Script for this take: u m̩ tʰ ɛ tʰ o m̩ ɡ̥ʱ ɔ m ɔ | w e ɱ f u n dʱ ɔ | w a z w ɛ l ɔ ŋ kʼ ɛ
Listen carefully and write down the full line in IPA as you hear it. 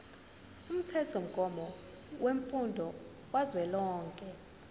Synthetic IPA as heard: u m̩ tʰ ɛ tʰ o m̩ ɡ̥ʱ ɔ m ɔ | w e ɱ f u n dʱ ɔ | w a z w ɛ l ɔː ŋ kʼ ɛ